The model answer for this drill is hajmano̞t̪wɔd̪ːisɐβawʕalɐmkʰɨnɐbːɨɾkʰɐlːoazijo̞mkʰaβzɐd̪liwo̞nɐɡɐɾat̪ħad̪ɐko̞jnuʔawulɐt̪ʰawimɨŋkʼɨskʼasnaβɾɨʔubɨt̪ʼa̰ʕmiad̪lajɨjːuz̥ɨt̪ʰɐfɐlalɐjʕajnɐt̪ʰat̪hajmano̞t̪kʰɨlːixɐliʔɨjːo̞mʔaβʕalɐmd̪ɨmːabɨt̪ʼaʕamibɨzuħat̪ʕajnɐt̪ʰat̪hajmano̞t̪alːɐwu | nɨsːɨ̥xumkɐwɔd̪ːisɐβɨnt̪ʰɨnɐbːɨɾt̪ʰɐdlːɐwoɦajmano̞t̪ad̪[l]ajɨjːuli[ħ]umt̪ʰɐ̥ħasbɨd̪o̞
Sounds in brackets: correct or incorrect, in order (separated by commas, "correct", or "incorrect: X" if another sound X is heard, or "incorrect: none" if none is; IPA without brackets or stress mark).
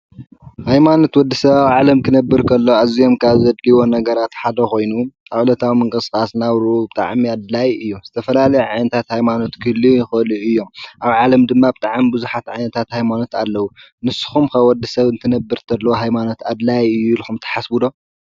correct, incorrect: x